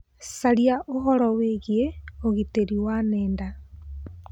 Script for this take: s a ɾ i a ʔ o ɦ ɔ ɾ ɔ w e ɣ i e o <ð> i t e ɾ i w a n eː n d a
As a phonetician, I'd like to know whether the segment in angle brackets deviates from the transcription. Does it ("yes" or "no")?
yes